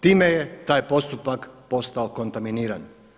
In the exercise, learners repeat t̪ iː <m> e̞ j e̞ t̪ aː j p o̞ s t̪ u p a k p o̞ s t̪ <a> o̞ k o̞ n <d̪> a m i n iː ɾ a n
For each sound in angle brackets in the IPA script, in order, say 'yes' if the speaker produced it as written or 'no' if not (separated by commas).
yes, yes, no